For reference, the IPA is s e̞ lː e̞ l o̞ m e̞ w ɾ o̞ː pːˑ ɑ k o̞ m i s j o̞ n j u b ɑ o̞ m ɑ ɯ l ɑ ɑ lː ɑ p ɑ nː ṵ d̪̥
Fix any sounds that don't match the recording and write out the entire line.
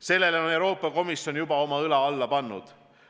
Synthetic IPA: s e̞ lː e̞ l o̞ n e̞ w ɾ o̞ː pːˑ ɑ k o̞ m i s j o̞ n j u b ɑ o̞ m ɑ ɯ l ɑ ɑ lː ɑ p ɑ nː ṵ d̪̥